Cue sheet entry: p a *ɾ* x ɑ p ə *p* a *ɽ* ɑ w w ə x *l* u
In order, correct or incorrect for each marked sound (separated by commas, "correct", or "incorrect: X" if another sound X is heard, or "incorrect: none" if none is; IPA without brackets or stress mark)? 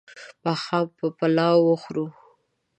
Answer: incorrect: none, correct, incorrect: l, incorrect: ɾ